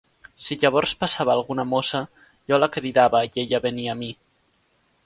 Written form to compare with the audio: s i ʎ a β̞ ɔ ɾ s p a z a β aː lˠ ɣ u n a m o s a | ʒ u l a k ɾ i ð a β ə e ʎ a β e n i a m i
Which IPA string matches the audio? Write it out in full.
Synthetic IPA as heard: s i ʎ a β̞ ɔ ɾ s p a s a β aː lˠ ɣ u n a m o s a | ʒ ɔ l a k ɾ i ð a β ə e ʎ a β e n i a m i